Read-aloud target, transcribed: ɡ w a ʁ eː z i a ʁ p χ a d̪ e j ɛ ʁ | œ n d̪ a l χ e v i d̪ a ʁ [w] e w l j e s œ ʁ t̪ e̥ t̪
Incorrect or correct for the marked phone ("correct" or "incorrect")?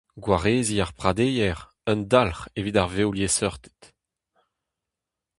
incorrect